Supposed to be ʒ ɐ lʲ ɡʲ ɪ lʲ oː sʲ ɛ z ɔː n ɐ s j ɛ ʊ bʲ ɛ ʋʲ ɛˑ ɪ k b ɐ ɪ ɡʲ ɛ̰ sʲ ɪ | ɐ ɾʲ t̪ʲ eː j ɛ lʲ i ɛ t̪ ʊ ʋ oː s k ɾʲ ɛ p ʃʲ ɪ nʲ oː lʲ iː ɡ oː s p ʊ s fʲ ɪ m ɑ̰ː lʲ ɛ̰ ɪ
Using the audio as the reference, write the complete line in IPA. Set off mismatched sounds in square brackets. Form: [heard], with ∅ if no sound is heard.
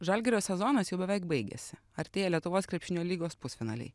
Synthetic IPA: ʒ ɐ lʲ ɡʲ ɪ [ɾʲ] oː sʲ ɛ z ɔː n ɐ s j ɛ ʊ bʲ ɛ ʋʲ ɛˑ ɪ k b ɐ ɪ ɡʲ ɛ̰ sʲ ɪ | ɐ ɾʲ t̪ʲ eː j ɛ lʲ i ɛ t̪ ʊ ʋ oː s k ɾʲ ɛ p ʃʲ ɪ nʲ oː lʲ iː ɡ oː s p ʊ s fʲ ɪ [n] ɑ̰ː lʲ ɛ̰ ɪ